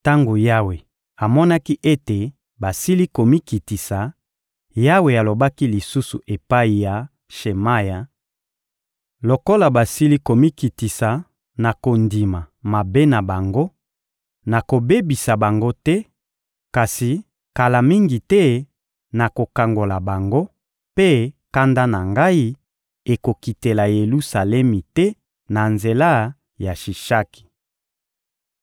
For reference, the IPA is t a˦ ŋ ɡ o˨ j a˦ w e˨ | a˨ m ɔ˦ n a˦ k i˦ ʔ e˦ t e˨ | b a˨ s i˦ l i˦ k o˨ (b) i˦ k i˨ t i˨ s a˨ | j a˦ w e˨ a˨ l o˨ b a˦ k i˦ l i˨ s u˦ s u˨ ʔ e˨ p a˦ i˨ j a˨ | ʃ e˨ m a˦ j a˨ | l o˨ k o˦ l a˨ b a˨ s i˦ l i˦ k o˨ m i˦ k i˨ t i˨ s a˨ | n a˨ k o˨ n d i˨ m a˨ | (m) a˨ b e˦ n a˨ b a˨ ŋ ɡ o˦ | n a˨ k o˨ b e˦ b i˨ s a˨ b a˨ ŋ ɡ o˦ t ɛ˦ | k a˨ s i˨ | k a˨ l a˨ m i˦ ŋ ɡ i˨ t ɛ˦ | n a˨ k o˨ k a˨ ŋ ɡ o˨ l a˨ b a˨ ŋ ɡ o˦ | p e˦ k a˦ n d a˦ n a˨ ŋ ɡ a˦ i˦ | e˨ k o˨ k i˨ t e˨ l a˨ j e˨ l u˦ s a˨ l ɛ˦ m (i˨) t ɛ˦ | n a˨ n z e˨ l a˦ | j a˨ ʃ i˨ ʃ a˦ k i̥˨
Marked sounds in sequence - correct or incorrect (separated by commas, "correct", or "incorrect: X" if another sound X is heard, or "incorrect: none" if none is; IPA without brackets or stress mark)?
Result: incorrect: m, correct, correct